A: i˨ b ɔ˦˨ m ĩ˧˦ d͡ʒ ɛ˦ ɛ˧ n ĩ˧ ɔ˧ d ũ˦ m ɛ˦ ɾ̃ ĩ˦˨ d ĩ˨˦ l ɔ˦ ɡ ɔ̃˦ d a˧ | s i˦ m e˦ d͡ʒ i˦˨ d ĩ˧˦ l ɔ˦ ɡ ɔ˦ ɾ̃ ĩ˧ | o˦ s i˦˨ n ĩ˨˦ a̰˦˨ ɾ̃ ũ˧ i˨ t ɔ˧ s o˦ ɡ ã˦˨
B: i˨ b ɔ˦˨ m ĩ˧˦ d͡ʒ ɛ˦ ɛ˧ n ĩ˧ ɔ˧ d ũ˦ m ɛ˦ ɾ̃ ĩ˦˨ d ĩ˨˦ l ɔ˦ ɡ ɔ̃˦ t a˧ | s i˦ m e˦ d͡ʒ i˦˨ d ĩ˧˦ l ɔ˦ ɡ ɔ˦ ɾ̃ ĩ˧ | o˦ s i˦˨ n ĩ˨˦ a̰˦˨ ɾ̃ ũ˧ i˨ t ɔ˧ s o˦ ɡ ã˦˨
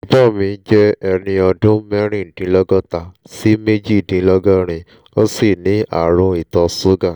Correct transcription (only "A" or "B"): B